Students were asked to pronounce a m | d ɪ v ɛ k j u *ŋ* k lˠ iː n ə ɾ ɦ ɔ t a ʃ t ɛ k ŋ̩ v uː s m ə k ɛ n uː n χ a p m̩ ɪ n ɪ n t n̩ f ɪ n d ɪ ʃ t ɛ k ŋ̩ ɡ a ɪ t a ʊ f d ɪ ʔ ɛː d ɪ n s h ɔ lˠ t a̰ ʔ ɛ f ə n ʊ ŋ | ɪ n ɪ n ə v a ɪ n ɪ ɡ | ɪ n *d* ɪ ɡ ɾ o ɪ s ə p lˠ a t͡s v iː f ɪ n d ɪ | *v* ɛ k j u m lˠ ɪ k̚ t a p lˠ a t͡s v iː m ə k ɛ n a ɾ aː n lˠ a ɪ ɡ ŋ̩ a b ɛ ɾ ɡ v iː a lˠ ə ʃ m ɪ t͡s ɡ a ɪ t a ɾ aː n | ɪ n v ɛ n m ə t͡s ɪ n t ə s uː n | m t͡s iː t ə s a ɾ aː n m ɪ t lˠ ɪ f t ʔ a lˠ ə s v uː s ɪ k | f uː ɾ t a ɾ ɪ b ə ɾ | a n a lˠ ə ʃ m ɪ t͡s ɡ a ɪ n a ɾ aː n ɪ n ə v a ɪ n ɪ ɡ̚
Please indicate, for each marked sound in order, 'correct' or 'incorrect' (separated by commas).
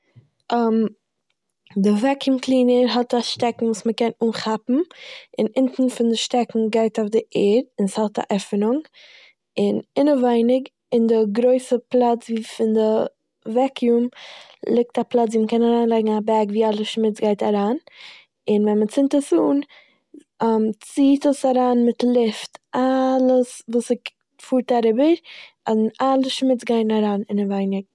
incorrect, correct, correct